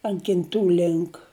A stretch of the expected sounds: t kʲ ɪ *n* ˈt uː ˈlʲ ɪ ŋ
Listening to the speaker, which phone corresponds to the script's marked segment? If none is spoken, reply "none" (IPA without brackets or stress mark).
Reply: n